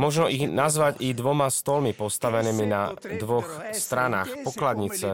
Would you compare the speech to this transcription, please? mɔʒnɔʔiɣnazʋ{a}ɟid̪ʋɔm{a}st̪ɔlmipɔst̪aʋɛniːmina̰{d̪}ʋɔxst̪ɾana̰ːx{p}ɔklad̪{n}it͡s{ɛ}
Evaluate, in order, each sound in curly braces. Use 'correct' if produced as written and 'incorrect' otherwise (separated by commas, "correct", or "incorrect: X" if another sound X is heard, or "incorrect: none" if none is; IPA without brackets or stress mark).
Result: correct, correct, correct, correct, incorrect: ɲ, correct